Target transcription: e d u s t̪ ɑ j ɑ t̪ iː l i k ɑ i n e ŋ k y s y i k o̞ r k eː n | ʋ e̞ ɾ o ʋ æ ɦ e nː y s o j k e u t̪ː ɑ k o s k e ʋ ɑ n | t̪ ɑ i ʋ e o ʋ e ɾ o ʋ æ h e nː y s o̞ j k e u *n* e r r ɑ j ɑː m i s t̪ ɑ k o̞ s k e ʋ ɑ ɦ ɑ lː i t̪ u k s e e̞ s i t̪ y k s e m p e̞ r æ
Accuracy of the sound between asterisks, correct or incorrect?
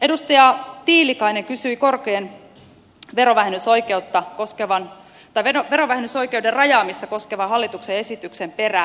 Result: incorrect